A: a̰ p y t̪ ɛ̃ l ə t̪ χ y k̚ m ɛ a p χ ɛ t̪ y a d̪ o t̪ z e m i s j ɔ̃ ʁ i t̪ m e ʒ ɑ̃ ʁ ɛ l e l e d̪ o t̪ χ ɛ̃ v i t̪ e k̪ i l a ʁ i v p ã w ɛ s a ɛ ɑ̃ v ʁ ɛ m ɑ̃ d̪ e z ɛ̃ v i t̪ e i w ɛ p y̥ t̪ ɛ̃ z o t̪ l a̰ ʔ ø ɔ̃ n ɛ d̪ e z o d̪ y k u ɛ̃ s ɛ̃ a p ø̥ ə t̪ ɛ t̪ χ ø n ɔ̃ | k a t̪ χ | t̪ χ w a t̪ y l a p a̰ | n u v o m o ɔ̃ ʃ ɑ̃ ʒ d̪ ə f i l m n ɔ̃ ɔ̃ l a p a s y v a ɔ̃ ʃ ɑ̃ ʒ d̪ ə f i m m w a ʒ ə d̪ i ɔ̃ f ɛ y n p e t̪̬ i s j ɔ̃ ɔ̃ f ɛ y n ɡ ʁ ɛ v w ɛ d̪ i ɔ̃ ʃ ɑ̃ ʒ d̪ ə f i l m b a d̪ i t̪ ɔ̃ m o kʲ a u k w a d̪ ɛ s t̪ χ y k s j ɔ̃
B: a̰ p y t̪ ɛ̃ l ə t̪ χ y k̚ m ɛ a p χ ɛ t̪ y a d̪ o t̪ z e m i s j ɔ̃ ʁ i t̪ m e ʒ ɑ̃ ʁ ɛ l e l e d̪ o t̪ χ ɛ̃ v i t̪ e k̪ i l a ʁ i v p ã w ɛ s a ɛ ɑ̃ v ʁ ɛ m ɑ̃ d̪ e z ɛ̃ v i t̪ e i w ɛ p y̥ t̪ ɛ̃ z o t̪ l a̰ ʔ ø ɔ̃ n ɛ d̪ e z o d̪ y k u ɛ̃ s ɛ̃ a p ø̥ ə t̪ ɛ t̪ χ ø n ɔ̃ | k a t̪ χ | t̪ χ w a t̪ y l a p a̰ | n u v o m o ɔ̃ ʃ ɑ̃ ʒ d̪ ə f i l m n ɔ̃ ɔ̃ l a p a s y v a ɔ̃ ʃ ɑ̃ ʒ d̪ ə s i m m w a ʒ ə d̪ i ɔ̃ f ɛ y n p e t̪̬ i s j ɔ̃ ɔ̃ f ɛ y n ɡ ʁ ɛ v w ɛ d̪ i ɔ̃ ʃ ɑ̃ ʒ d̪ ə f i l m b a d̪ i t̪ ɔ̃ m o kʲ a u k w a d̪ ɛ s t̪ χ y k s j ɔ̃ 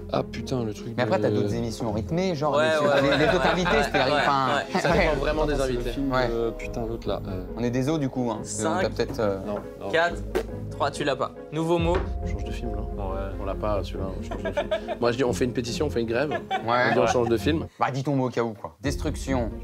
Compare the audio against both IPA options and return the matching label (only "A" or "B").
A